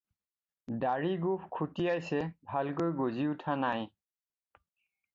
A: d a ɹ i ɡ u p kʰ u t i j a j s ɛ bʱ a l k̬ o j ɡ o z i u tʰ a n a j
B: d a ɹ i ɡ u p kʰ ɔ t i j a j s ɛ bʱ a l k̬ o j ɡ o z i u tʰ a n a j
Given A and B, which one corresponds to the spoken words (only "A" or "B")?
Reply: A